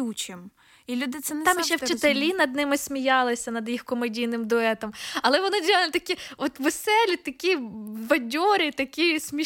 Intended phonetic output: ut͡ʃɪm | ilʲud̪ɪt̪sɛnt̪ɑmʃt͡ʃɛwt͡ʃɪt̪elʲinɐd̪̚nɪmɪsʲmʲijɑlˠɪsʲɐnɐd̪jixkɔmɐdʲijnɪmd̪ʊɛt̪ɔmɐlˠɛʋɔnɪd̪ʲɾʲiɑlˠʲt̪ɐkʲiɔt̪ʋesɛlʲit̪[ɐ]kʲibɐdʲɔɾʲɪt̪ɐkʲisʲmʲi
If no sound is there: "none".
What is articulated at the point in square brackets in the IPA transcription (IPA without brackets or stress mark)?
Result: ɐ